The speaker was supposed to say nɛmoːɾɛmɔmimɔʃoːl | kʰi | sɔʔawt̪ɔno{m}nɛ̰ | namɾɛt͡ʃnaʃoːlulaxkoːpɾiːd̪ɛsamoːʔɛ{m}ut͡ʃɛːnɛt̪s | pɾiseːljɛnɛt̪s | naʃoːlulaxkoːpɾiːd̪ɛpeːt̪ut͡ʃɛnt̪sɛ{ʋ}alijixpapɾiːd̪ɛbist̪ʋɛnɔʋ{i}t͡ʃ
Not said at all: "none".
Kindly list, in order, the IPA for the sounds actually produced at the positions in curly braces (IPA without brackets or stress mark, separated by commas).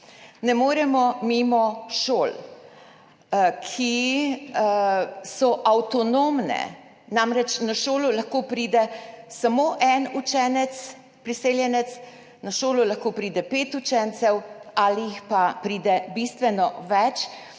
m, n, w, ɛ